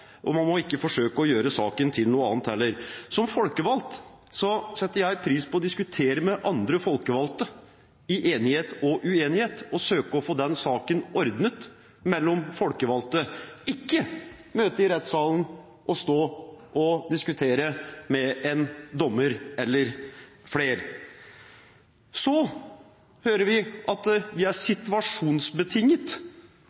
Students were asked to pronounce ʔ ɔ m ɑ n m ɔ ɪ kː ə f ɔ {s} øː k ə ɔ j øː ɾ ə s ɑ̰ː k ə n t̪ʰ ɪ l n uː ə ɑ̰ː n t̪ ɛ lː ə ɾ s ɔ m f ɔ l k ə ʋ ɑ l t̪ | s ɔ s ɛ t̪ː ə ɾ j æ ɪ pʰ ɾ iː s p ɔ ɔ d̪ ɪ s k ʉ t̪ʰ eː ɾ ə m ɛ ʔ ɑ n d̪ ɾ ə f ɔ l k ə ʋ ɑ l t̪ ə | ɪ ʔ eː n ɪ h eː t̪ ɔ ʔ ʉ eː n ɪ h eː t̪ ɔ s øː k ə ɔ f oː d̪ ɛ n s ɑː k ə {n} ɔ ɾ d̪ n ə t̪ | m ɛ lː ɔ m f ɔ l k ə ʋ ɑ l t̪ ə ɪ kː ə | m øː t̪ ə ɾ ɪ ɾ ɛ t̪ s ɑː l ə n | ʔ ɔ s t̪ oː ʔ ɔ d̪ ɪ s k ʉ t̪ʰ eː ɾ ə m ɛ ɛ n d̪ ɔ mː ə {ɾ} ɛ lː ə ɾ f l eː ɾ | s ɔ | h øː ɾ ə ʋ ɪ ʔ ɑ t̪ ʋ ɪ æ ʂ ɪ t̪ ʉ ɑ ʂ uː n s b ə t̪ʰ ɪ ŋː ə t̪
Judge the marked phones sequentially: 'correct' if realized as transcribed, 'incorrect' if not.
incorrect: ʂ, correct, correct

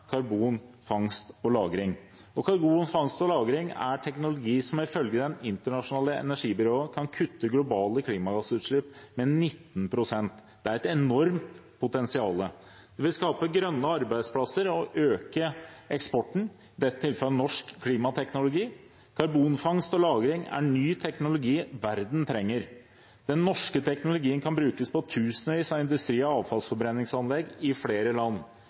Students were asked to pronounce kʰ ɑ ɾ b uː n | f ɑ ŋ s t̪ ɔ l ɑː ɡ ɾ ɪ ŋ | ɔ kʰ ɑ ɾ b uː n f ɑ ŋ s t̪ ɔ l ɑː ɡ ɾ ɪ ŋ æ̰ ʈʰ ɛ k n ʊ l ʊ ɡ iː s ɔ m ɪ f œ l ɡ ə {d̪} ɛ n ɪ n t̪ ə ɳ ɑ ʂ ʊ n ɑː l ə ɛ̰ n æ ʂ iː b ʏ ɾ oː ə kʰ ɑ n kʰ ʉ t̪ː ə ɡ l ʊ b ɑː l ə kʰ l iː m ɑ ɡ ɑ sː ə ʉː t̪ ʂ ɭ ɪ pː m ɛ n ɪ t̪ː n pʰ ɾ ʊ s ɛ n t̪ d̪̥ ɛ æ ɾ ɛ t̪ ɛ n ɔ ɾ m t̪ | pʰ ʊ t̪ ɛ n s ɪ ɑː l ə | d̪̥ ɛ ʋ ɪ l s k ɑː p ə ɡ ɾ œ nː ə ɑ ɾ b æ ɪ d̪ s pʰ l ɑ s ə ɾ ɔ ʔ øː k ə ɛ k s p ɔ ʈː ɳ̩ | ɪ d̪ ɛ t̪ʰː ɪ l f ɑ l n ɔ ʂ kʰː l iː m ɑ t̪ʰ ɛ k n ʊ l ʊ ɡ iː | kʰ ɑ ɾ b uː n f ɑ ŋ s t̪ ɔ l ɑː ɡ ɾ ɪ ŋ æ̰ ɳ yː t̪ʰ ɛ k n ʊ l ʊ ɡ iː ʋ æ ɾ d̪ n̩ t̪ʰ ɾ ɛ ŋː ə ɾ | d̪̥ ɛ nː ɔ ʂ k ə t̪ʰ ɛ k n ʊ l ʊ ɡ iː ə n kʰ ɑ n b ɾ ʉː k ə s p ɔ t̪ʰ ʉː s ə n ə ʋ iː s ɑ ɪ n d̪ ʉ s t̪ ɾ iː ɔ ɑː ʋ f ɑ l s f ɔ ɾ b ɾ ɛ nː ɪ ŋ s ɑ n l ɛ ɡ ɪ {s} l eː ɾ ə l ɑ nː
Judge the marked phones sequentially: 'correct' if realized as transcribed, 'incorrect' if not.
correct, incorrect: f

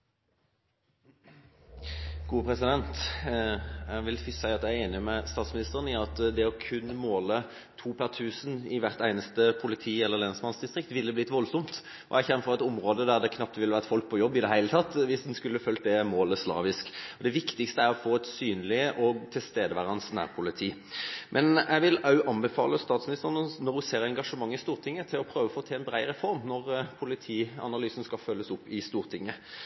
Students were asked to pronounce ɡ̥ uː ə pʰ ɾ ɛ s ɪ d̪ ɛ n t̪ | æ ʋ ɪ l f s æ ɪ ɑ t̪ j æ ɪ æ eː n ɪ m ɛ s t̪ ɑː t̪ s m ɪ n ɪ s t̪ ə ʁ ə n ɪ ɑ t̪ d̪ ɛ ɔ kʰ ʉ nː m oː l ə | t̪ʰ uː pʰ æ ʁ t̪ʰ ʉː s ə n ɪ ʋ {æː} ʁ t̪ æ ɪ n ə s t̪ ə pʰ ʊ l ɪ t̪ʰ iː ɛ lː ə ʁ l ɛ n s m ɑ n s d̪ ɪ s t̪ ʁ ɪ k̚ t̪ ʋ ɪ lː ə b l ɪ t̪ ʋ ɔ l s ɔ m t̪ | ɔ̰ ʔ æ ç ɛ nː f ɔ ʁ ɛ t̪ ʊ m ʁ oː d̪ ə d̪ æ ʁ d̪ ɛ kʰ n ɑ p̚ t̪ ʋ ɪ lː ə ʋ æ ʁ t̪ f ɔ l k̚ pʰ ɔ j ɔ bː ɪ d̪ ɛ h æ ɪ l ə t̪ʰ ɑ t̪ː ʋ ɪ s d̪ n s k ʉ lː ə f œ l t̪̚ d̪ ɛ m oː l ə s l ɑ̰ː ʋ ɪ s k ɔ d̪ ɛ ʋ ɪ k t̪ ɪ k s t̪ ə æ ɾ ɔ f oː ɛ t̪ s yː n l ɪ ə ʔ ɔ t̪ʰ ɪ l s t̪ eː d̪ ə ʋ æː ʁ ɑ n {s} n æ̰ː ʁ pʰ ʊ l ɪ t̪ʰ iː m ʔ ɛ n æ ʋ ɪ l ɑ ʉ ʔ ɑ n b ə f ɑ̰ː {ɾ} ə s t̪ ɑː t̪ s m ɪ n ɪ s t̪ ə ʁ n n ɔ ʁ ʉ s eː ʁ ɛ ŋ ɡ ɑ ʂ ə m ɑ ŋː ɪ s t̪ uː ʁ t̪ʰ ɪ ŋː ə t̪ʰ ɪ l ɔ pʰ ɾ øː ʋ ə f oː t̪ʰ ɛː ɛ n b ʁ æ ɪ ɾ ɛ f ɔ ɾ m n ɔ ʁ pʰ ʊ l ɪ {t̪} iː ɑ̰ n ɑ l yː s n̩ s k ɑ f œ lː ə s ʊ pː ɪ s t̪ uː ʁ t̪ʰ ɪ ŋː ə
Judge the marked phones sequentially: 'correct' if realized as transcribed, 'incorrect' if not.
incorrect: æ, correct, incorrect: l, incorrect: t̪ʰ

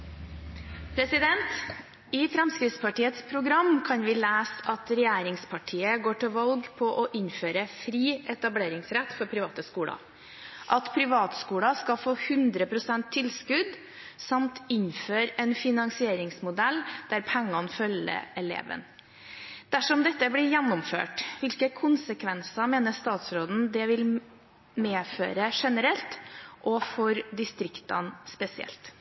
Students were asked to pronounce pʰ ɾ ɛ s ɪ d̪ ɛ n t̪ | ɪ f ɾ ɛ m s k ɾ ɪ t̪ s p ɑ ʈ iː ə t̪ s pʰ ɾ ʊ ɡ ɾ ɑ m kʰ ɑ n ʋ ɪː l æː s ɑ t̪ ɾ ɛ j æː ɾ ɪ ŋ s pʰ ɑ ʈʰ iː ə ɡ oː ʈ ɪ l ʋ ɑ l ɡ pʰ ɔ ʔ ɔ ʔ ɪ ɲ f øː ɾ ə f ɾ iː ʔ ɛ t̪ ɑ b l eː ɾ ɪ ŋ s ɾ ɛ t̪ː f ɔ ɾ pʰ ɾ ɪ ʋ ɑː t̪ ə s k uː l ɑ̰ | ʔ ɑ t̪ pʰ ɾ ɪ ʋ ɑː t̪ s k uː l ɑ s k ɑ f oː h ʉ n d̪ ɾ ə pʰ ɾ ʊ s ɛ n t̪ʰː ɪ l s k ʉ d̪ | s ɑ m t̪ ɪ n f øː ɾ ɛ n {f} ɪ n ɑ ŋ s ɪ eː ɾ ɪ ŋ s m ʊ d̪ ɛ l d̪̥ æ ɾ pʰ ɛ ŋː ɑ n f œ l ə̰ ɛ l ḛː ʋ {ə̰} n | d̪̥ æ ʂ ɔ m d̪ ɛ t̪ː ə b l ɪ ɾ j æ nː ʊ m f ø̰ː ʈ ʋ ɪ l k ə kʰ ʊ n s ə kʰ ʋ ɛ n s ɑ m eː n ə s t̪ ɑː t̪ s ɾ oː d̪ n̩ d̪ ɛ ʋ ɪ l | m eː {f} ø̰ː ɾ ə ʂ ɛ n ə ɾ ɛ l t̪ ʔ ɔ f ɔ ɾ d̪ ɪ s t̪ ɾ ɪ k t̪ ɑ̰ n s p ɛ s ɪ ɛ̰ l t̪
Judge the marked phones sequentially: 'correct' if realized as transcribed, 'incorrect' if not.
correct, correct, correct

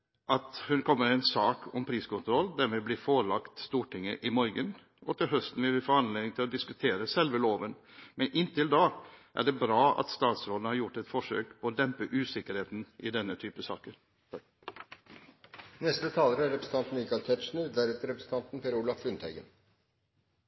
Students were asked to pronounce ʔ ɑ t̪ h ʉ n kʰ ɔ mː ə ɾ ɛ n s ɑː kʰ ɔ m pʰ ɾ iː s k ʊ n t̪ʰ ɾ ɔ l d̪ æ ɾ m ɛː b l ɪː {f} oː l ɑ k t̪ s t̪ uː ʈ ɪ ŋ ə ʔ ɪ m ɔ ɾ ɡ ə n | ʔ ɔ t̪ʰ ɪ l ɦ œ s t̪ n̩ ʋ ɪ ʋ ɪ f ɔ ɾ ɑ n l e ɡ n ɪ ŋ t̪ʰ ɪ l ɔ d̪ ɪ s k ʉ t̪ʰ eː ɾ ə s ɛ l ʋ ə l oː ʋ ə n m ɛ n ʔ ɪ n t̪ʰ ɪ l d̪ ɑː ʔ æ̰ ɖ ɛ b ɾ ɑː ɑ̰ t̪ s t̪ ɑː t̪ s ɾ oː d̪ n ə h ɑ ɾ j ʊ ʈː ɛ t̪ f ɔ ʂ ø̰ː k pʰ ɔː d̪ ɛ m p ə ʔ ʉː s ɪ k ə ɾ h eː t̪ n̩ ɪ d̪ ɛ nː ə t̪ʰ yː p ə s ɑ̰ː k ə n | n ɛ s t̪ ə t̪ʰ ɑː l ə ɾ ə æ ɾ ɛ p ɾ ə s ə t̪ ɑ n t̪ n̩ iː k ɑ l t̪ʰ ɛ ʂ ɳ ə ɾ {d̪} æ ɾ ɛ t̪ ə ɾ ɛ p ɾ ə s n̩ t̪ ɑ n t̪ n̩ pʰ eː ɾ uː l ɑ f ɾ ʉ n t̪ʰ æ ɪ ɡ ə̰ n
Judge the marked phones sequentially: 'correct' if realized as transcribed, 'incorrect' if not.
correct, correct

